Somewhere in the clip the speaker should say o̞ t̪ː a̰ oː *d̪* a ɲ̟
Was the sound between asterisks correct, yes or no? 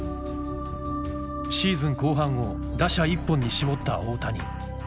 no